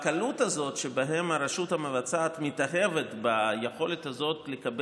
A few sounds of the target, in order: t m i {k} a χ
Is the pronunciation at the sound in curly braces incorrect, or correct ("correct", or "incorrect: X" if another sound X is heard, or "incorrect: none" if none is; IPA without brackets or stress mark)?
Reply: incorrect: t